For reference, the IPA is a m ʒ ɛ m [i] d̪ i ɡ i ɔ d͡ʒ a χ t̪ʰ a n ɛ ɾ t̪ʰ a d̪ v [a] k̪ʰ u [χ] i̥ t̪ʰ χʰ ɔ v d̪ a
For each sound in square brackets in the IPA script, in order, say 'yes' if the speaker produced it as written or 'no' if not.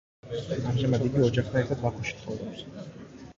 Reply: no, yes, no

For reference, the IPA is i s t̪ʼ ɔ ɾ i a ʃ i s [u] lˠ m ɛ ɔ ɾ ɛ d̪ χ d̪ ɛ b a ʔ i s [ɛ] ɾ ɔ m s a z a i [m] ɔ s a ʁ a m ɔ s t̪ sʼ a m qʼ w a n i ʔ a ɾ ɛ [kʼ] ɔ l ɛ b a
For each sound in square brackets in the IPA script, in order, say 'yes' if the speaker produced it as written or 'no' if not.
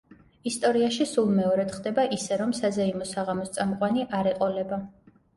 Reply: yes, yes, yes, no

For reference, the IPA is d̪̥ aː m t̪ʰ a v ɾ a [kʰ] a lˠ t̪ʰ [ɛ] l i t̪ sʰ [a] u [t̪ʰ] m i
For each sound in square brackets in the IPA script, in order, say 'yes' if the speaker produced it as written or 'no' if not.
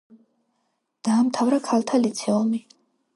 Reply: yes, no, no, no

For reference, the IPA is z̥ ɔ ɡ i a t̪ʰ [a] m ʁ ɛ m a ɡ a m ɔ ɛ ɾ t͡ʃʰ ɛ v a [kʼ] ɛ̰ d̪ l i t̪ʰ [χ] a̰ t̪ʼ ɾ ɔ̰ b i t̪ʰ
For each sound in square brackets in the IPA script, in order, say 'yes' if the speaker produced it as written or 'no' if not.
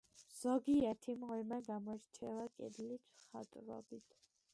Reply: no, yes, yes

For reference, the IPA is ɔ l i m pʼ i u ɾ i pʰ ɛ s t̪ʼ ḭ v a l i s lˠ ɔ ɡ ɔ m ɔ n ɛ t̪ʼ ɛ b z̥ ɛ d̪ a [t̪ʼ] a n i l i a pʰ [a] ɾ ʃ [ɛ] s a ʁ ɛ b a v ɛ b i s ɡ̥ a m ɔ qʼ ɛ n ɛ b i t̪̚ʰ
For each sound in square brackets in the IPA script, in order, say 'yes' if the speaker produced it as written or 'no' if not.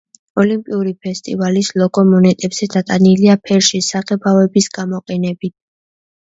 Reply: yes, no, no

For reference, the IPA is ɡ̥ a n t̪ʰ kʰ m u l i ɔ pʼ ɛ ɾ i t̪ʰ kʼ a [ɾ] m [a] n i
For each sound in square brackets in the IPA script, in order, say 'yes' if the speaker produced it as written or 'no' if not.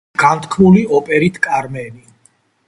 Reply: yes, no

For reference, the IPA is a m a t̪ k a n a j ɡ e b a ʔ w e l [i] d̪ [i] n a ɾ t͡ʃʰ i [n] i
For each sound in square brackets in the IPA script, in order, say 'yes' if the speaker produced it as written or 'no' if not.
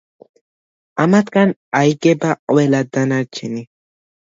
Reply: no, no, yes

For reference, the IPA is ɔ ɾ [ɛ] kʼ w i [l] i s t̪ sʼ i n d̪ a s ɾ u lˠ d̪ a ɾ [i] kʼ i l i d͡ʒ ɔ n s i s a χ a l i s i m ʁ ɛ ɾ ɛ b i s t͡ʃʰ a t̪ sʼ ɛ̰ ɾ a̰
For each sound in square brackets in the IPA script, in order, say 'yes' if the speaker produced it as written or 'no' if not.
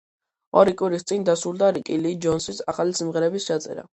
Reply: no, no, yes

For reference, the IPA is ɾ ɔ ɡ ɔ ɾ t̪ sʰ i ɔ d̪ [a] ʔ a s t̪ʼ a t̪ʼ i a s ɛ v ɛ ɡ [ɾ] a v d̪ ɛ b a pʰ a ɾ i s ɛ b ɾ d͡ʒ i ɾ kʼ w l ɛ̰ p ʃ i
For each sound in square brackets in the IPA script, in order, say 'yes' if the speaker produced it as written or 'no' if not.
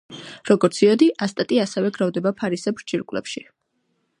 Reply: no, yes

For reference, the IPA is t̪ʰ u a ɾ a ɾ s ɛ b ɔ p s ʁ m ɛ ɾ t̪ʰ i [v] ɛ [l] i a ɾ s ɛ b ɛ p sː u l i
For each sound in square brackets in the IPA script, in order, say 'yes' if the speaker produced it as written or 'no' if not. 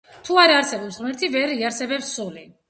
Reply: yes, no

